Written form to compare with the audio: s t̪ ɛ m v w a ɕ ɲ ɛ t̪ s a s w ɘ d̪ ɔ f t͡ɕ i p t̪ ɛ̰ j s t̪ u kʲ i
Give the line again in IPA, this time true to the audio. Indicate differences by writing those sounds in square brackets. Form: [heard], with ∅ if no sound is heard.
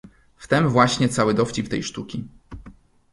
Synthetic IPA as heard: [f] t̪ ɛ m v w a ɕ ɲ ɛ t̪ s a [∅] w ɘ d̪ ɔ f t͡ɕ i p t̪ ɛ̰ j [ʂ] t̪ u kʲ i